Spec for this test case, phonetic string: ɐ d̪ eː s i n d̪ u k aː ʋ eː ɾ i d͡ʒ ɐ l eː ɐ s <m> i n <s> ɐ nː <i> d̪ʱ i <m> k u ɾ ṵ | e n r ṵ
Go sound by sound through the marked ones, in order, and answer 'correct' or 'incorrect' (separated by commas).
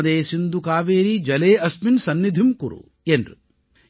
correct, correct, correct, correct